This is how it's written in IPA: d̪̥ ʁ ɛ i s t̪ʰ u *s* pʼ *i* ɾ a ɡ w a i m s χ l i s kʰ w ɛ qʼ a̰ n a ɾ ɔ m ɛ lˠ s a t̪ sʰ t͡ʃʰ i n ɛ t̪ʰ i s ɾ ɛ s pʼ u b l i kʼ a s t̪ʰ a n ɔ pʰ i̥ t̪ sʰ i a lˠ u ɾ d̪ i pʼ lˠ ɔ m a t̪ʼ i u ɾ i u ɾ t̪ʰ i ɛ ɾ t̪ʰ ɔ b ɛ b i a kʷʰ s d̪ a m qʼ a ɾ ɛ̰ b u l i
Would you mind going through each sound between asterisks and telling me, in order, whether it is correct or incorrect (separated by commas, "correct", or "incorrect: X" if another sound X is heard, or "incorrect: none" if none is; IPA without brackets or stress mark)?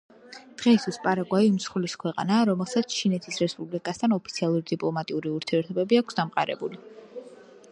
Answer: correct, incorrect: a